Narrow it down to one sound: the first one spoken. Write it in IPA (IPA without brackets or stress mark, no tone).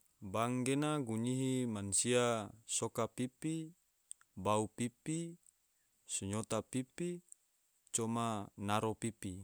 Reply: b